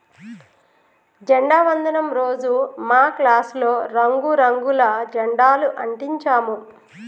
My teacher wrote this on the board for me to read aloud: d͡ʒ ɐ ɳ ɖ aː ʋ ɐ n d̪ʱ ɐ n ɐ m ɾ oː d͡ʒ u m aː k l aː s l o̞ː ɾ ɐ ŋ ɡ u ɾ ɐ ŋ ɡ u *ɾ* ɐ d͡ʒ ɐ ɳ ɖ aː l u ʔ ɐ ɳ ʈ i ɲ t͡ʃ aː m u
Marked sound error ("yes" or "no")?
yes